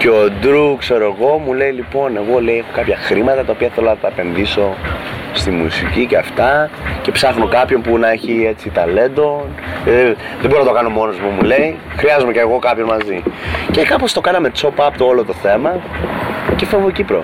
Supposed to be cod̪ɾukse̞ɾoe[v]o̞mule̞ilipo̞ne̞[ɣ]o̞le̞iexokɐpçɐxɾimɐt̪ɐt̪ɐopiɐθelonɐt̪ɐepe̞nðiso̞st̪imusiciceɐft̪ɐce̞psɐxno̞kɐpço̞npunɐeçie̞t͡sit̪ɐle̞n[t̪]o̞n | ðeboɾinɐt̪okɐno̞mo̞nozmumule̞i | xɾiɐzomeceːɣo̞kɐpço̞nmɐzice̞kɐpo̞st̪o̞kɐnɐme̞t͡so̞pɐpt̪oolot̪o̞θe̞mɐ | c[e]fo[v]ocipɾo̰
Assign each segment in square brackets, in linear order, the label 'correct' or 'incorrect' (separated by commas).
incorrect, correct, incorrect, correct, correct